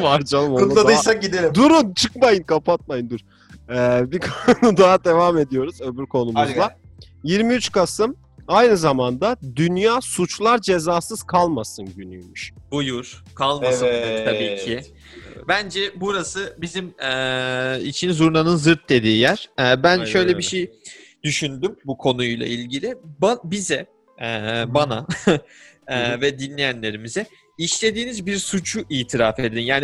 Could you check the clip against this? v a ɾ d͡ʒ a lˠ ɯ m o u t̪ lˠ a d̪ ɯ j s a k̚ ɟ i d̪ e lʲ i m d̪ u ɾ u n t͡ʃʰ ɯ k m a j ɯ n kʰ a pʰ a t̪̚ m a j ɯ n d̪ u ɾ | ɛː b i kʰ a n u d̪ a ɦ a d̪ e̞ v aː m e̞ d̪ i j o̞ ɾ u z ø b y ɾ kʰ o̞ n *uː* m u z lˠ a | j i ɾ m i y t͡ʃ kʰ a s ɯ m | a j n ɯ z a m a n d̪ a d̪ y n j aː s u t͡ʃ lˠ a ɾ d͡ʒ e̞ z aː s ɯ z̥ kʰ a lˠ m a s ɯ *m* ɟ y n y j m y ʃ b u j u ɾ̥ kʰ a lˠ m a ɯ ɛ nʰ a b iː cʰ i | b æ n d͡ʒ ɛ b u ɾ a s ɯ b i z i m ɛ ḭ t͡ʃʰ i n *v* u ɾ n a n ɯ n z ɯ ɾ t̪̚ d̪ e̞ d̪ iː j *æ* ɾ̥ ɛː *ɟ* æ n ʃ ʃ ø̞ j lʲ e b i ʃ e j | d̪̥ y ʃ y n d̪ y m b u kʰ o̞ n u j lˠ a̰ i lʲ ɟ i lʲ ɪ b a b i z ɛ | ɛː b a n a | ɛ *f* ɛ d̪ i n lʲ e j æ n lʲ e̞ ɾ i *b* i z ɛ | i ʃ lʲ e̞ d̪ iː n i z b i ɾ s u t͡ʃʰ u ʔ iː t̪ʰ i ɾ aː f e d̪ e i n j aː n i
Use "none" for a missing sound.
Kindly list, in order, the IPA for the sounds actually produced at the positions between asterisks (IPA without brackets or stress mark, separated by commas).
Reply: u, n, z, æ, b, v, m